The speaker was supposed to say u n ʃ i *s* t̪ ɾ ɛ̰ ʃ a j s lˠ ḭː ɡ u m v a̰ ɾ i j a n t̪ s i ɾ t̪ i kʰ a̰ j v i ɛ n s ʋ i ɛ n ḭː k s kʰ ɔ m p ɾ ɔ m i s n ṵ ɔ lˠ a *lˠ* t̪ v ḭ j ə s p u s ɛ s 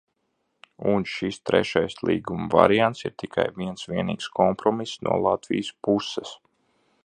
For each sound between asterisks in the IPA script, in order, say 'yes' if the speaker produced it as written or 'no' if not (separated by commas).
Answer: yes, no